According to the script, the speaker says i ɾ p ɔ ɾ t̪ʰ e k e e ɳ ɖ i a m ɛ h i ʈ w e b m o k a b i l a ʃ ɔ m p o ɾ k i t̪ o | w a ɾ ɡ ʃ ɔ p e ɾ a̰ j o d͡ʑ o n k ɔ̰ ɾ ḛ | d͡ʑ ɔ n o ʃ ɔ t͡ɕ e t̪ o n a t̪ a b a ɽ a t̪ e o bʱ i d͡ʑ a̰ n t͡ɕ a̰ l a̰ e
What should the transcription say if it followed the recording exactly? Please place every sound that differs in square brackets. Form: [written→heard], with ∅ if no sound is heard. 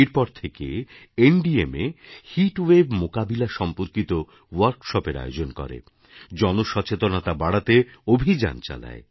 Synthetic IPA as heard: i ɾ p ɔ ɾ t̪ʰ e k e e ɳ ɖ i [a→e] m [ɛ→e] h i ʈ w e b m o k a b i l a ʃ ɔ m p o ɾ k i t̪ o | w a ɾ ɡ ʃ ɔ p e ɾ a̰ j o d͡ʑ o n k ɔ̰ ɾ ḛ | d͡ʑ ɔ n o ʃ ɔ t͡ɕ e t̪ o n a t̪ a b a ɽ a t̪ e o bʱ i d͡ʑ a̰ n t͡ɕ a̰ l a̰ e